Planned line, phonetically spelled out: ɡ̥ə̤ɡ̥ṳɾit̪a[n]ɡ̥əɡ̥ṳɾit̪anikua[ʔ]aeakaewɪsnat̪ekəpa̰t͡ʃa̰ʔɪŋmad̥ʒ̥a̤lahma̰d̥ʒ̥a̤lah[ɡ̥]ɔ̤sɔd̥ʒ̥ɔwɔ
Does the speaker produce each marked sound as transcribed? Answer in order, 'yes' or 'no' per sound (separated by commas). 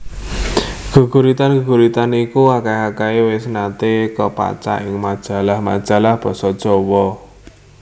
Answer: yes, no, no